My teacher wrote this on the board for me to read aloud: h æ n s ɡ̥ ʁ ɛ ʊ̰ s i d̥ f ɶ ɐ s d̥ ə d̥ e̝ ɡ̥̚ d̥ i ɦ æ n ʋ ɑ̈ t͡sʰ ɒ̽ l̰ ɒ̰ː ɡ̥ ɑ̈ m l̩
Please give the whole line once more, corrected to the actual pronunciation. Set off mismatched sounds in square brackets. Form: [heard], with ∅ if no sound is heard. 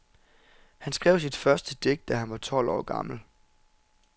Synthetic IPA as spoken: h æ n s ɡ̥ ʁ ɛ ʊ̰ s i d̥ f ɶ ɐ s d̥ ə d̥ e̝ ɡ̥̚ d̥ [æ] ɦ æ n ʋ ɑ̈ t͡sʰ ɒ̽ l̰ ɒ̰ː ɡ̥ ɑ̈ m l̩